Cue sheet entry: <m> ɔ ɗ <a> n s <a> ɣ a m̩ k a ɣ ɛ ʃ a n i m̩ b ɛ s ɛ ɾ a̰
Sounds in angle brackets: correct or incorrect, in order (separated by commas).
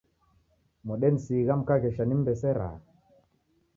correct, incorrect, incorrect